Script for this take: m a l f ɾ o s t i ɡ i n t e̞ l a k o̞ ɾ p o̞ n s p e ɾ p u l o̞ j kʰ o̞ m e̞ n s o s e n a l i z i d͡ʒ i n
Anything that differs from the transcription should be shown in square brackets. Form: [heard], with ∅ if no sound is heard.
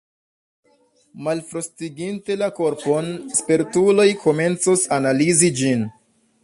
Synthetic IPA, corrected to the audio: m a l f ɾ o s t i ɡ i n t e̞ l a k o̞ ɾ p o̞ n s p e ɾ [t] u l o̞ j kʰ o̞ m e̞ n [t͡s] o s [a] n a l i z i d͡ʒ i n